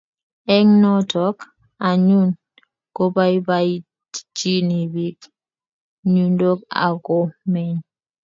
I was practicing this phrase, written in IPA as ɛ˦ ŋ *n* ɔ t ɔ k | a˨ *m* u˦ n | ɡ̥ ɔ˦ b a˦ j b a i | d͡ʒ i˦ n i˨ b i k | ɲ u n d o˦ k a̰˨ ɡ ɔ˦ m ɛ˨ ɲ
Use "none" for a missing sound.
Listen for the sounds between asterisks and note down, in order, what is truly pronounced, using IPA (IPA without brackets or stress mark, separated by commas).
n, ɲ